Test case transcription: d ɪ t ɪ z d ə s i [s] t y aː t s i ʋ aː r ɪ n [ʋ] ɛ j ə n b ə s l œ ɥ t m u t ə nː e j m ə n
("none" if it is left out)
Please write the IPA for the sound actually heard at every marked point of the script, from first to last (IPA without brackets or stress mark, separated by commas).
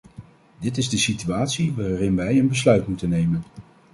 none, ʋ